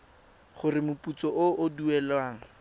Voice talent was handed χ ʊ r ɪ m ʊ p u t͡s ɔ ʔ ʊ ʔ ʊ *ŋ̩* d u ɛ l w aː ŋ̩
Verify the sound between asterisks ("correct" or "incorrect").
incorrect